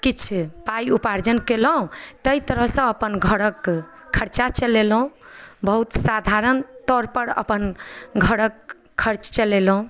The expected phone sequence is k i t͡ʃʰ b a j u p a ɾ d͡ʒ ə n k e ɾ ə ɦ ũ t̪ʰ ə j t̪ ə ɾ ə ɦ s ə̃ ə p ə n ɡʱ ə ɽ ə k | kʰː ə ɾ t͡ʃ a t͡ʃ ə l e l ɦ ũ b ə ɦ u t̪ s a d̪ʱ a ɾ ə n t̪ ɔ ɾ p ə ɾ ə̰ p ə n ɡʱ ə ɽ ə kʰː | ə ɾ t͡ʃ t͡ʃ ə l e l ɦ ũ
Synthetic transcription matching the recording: k i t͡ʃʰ p a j u p a ɾ d͡ʒ ə n k e l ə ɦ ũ t̪ ə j t̪ ə ɾ ə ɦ s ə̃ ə p ə n ɡʱ ə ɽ ə k | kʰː ə ɾ t͡ʃ a t͡ʃ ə l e l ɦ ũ b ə ɦ u t̪ s a d̪ʱ a ɾ ə n t̪ ɔ ɾ p ə ɾ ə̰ p ə n ɡʱ ə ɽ ə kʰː | ə ɾ t͡ʃ t͡ʃ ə l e l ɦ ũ